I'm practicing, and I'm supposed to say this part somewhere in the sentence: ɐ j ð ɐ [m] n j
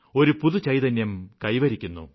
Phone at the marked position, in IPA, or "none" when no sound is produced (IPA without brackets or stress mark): none